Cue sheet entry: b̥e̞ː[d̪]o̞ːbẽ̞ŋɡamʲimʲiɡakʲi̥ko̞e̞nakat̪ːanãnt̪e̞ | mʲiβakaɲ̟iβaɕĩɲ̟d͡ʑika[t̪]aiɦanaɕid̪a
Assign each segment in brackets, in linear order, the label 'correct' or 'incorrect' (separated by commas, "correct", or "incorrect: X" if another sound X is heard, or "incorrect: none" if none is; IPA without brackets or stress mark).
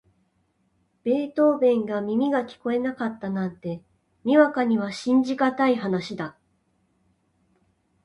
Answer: incorrect: t̪, correct